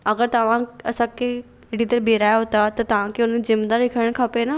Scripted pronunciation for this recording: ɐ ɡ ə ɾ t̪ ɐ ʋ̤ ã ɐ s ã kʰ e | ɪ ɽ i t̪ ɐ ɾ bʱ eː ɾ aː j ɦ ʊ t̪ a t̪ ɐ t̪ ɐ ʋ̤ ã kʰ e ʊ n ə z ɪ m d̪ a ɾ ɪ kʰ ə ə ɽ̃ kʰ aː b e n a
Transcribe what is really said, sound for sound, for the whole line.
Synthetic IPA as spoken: ɐ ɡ ə ɾ t̪ ɐ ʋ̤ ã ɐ s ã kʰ e | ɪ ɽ i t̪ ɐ ɾ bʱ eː ɾ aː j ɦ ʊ t̪ a t̪ ɐ t̪ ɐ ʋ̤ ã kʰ e ʊ n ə z ɪ m d̪ a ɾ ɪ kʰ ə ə ɽ̃ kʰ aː p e n a